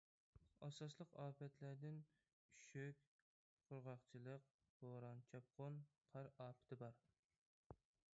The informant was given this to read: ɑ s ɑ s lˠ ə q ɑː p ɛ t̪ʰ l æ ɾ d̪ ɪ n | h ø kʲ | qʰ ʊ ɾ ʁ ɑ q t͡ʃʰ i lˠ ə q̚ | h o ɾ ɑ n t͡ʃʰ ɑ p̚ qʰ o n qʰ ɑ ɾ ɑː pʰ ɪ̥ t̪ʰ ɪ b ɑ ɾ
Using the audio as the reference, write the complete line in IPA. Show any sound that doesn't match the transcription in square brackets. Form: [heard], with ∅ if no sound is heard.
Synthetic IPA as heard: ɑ s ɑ s lˠ ə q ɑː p ɛ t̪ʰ l æ ɾ d̪ ɪ n | [ʃ] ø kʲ | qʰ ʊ ɾ ʁ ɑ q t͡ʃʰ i lˠ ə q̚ | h o ɾ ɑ n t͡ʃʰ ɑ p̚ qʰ o n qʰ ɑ ɾ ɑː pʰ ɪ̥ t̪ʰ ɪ b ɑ ɾ